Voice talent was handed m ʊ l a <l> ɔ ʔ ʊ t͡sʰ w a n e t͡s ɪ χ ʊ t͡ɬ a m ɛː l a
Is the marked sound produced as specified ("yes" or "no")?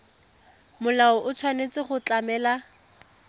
no